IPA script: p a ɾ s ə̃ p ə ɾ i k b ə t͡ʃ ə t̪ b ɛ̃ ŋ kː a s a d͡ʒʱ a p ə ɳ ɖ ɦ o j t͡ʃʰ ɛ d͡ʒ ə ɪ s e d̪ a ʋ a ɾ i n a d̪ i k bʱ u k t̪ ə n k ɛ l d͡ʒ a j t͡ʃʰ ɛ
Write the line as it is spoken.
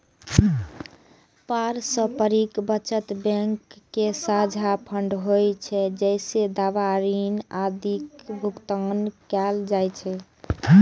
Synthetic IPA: p a ɾ s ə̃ p ə ɾ i k b ə t͡ʃ ə t̪ b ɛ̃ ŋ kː e s a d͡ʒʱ a pʰ ə ɳ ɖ ɦ o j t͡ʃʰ ɛ d͡ʒ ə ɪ s e d̪ a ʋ a ɾ i n a d̪ i k bʱ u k t̪ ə n k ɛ l d͡ʒ a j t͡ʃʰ ɛ

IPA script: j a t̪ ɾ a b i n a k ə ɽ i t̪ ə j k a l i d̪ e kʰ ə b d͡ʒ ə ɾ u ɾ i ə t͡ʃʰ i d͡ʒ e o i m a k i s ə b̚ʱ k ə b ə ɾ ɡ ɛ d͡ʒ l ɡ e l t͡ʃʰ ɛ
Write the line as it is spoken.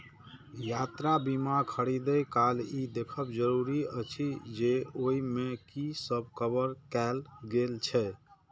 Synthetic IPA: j a t̪ ɾ a b i m a kʰ ə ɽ i d̪ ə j k a l i d̪ e kʰ ə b d͡ʒ ə ɾ u ɾ i ə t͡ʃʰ i d͡ʒ e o i m e k i s ə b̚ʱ k ə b ə ɾ k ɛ l ɡ e l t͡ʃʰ ɛ

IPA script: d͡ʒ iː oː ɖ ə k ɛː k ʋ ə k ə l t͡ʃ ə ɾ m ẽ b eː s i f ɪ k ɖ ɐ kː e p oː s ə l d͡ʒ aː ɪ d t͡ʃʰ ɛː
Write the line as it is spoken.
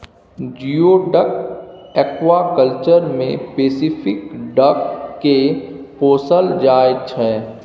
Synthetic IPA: d͡ʒ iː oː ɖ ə k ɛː k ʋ a k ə l t͡ʃ ə ɾ m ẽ p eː s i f ɪ k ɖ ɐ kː e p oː s ə l d͡ʒ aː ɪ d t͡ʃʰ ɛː

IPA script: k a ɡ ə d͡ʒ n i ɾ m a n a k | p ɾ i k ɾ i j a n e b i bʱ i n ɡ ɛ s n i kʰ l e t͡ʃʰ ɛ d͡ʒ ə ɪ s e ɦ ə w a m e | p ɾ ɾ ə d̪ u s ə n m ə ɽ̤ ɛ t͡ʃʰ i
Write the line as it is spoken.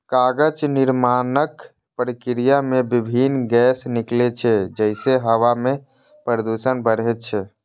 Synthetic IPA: k a ɡ ə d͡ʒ n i ɾ m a n ə k | p ɾ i k ɾ i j a m e b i bʱ i n ɡ ɛ s n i k l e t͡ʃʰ ɛ d͡ʒ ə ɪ s e ɦ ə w a m e | p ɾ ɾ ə d̪ u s ə n b ə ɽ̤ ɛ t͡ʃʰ ɛ

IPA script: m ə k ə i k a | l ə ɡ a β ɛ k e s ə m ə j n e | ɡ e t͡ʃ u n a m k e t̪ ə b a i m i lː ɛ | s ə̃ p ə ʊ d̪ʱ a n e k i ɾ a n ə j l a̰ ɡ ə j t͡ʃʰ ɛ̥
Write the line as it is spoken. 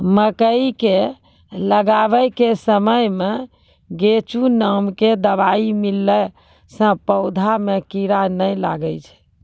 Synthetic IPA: m ə k ə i k e | l ə ɡ a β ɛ k e s ə m ə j m e | ɡ e t͡ʃ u n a m k e d̪ ə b a i m i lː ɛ | s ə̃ p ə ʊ d̪ʱ a m e k i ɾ a n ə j l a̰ ɡ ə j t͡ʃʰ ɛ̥

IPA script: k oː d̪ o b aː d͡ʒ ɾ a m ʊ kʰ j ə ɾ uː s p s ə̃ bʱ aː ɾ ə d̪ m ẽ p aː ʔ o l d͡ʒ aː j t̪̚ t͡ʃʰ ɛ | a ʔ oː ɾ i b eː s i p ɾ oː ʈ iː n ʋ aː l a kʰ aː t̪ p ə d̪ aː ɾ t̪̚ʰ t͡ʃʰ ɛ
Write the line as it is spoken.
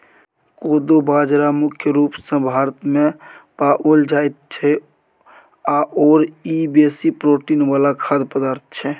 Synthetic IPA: k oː d̪ o b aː d͡ʒ ɾ a m ʊ kʰ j ə ɾ uː p s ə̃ bʱ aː ɾ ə t̪ m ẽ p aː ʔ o l d͡ʒ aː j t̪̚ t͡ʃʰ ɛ | a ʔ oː ɾ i b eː s i p ɾ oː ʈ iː n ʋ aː l a kʰ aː d̪ p ə d̪ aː ɾ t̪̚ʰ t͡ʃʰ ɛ

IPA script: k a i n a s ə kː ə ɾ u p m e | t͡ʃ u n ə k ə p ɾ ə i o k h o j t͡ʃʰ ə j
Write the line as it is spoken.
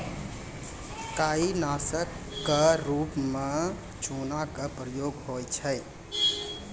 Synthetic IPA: k a i n a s ə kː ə ɾ u p m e | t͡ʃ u n a k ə p ɾ ə j o ɡ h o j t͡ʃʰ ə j

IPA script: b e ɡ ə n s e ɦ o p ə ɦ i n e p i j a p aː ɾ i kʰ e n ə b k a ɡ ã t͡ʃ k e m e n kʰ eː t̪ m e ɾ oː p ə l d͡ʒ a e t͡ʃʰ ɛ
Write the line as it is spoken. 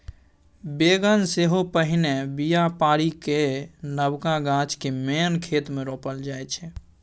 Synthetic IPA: b e ɡ ə n s e ɦ o p ə ɦ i n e b i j a p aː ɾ i k e n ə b k a ɡ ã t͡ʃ k e m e n kʰ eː t̪ m e ɾ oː p ə l d͡ʒ a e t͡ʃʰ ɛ

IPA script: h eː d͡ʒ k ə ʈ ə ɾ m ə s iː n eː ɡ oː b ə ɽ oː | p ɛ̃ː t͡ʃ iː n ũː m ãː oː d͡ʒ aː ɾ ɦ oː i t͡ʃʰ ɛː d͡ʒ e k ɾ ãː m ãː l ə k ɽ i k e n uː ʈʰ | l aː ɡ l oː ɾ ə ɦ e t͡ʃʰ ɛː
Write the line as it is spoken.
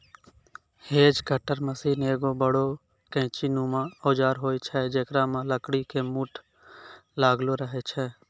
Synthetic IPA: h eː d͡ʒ k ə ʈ ə ɾ m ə s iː n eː ɡ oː b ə ɽ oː | k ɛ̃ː t͡ʃ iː n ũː m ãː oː d͡ʒ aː ɾ ɦ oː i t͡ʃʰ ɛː d͡ʒ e k ɾ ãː m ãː l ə k ɽ i k e m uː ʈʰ | l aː ɡ l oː ɾ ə ɦ e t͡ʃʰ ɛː

